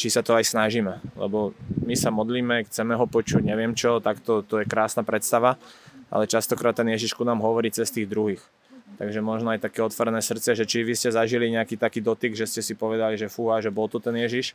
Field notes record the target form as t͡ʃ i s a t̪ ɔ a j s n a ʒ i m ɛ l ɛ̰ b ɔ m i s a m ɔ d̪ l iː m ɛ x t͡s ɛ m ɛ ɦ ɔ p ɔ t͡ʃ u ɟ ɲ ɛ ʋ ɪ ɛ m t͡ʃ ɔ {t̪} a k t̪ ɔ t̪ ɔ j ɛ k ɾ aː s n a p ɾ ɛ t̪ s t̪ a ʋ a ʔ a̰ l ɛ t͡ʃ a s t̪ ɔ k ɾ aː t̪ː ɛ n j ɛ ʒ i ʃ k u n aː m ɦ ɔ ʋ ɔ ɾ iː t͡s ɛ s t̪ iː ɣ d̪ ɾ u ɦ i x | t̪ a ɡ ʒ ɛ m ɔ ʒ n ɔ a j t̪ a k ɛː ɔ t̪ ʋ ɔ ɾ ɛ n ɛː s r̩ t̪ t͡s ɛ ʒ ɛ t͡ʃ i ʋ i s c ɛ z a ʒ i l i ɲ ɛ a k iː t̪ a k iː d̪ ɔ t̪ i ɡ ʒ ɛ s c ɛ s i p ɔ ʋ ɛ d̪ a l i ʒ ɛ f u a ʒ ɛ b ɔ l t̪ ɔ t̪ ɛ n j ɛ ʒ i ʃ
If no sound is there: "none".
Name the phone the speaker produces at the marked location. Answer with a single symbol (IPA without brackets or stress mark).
t̪